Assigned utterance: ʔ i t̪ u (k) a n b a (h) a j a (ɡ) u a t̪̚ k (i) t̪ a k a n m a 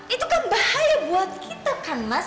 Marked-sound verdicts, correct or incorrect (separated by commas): correct, correct, incorrect, correct